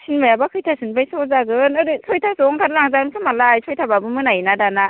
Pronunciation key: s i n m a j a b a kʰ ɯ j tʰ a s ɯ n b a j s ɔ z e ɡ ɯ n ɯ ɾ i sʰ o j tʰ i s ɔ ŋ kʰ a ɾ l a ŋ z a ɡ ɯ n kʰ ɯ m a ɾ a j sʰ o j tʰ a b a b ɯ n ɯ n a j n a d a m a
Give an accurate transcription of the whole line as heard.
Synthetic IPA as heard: s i n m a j a b a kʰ ɯ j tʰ a s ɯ n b a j s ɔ z a ɡ ɯ n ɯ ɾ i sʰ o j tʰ a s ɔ ŋ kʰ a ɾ l a ŋ z a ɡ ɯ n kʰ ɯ m a l a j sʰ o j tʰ a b a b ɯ m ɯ n a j n a d a n a